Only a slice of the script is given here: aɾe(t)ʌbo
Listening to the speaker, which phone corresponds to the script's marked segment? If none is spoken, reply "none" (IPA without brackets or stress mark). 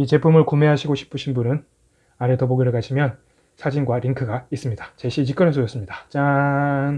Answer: t